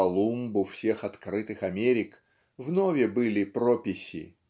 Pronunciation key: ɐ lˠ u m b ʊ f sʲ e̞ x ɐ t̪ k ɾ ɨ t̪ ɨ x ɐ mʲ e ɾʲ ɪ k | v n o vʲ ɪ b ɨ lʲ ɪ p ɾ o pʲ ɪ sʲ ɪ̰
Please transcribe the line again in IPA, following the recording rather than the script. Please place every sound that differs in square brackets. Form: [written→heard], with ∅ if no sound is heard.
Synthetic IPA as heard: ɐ lˠ u m b ʊ f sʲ e̞ x ɐ t̪ k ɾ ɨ t̪ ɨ x ɐ mʲ e ɾʲ ɪ k | v n o vʲ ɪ b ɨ lʲ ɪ p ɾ o pʲ ɪ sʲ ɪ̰